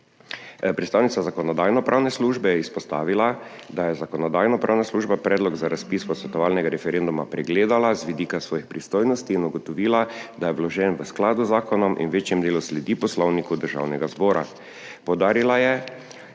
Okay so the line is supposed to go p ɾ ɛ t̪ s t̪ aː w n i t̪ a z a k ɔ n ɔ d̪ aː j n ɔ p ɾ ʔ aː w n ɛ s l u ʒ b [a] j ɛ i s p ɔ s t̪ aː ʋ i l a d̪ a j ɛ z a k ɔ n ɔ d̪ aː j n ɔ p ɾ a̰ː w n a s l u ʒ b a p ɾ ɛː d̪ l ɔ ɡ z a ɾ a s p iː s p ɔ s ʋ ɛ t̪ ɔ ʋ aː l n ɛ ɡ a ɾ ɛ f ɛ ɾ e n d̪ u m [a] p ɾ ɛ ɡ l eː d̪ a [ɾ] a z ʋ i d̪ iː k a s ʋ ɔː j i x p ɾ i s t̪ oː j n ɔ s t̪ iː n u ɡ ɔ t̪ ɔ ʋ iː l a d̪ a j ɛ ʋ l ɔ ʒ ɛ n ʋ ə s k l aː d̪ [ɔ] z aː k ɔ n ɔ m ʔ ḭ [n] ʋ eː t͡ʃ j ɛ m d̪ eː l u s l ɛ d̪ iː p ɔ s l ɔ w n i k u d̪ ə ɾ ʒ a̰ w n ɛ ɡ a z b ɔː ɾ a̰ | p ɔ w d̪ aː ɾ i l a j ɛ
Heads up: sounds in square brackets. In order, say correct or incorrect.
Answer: incorrect: ɛ, correct, incorrect: l, incorrect: u, correct

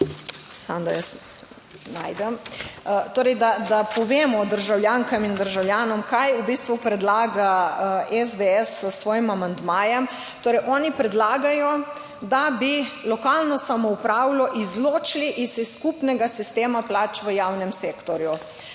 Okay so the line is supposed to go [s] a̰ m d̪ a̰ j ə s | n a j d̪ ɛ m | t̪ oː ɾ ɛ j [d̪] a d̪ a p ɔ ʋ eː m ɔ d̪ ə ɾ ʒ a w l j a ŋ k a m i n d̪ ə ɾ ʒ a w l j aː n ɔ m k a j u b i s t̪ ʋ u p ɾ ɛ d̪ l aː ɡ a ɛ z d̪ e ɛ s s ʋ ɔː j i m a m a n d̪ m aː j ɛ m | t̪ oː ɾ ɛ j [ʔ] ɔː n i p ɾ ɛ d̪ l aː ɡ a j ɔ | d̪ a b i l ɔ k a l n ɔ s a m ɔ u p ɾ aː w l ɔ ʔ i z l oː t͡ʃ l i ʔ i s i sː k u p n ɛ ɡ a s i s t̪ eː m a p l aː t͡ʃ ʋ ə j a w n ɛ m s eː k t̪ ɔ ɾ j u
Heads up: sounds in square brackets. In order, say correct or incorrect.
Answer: correct, correct, correct

